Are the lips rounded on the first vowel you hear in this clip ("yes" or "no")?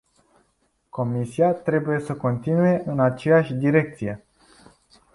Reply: yes